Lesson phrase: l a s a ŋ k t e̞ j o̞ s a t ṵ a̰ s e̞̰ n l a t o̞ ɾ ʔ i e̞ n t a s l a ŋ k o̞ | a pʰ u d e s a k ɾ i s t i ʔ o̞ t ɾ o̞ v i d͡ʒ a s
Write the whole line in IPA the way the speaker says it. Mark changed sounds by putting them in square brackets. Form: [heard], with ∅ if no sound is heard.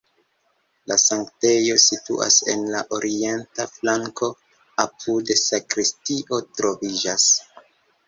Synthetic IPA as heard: l a s a ŋ k t e̞ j o̞ s [i] t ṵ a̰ s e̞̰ n l a [ʔ] o̞ ɾ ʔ i e̞ n t a [f] l a ŋ k o̞ | a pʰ u d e s a k ɾ i s t i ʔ o̞ t ɾ o̞ v i d͡ʒ a s